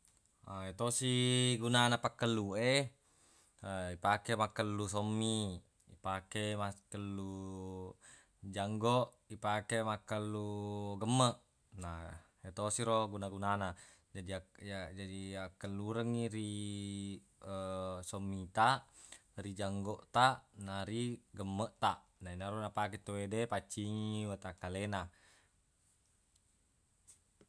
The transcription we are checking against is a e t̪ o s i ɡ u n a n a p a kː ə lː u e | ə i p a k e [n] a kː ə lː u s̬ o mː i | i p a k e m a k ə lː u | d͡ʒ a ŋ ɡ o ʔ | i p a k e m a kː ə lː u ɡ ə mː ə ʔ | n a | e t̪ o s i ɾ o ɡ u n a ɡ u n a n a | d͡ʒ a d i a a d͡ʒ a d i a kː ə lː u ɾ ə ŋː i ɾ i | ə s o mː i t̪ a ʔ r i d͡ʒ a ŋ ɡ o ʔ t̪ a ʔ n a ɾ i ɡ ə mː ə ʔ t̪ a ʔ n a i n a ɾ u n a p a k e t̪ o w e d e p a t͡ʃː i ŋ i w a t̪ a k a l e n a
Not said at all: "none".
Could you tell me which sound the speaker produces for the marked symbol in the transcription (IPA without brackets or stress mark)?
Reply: m